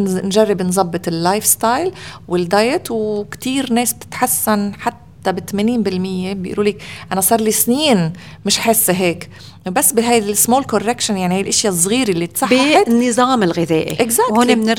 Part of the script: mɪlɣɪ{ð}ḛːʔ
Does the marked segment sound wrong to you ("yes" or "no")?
no